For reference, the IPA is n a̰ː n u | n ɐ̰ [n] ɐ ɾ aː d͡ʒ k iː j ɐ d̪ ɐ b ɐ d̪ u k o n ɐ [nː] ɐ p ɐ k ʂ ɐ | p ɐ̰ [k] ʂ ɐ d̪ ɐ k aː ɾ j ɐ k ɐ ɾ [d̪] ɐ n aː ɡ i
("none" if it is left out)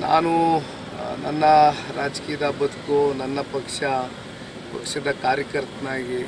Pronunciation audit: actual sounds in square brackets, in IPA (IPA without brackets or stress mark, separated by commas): nː, nː, k, t̪